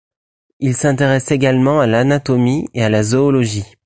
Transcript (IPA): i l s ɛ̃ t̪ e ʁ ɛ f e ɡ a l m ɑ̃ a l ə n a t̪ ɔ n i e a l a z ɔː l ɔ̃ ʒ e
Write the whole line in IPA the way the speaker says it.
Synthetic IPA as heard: i l s ɛ̃ t̪ e ʁ ɛ s e ɡ a l m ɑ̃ a l a n a t̪ ɔ m i e a l a z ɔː l ɔ ʒ i